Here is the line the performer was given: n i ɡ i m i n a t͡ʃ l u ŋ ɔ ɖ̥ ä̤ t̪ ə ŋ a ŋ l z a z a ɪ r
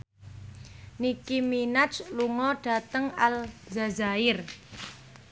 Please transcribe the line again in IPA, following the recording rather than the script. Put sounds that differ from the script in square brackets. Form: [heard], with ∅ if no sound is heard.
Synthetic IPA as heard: n i [k] i m i n a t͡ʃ l u ŋ ɔ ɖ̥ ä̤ t̪ ə ŋ a [∅] l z a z a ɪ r